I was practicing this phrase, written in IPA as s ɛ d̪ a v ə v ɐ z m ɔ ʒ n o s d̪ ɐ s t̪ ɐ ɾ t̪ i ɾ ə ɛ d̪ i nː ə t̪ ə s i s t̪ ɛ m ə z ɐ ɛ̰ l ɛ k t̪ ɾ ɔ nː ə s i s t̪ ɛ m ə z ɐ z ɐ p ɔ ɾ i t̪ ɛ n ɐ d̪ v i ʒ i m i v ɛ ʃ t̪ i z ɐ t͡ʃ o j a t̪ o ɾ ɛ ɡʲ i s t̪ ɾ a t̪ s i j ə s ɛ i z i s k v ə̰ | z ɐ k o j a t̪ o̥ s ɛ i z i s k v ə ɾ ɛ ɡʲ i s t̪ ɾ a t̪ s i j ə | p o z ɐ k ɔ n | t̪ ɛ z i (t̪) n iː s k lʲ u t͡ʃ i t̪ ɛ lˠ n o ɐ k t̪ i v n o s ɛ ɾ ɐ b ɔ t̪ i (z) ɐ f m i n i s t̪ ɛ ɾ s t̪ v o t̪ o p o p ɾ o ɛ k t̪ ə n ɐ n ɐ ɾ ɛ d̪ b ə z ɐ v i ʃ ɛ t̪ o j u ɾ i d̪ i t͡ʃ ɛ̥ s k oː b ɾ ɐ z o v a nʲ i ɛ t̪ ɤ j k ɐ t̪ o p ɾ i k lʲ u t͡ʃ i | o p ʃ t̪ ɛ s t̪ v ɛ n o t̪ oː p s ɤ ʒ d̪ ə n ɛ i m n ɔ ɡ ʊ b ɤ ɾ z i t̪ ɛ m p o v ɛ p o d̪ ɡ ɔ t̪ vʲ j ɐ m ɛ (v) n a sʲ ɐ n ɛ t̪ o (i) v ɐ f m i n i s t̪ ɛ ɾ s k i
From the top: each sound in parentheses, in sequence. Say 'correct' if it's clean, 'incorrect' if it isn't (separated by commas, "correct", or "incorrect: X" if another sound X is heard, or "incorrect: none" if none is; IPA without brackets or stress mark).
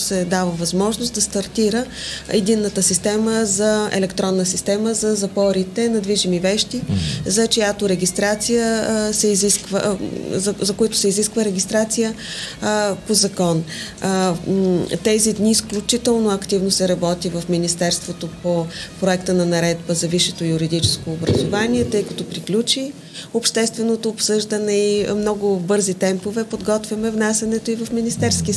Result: incorrect: d̪, incorrect: v, correct, correct